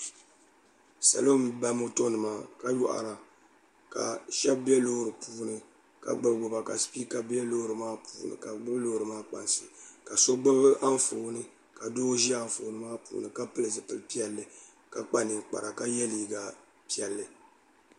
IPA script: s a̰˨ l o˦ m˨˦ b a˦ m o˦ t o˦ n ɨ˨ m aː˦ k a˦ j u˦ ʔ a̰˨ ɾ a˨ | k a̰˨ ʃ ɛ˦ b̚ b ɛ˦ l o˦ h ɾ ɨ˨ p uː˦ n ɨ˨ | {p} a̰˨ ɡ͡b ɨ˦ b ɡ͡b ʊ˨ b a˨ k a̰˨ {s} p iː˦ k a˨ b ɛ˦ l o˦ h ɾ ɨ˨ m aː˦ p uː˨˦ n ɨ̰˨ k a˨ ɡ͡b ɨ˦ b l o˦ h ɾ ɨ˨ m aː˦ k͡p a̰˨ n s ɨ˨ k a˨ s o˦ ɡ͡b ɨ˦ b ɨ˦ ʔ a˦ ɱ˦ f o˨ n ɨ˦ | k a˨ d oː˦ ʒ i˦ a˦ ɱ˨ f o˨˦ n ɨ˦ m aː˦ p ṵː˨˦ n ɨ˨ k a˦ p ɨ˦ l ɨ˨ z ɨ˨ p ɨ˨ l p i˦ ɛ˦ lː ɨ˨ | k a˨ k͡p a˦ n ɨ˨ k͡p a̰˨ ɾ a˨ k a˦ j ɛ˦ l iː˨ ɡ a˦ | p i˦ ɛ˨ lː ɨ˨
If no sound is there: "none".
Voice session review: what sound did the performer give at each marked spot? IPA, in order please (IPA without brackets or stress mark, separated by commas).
k, s